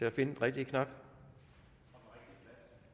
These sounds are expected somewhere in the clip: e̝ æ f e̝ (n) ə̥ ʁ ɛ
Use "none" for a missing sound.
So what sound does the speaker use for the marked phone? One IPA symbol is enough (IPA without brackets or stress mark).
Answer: n